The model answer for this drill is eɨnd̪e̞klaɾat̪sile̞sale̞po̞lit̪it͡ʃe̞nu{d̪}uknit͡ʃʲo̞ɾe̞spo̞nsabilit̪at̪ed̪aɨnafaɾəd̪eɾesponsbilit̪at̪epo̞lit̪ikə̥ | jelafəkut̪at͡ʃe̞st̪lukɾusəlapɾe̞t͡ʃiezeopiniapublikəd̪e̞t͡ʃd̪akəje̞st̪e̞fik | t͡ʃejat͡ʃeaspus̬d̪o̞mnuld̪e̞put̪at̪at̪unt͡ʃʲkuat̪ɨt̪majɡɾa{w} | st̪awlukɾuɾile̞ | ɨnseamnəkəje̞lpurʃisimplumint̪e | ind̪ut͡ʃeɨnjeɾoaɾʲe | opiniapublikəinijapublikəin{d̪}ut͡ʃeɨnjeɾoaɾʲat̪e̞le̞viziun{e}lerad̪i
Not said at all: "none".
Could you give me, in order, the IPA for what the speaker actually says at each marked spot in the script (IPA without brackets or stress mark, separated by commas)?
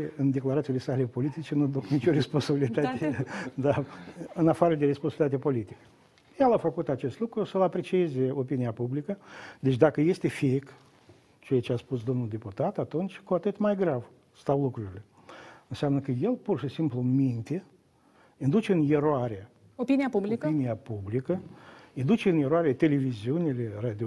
d̪, v, d̪, i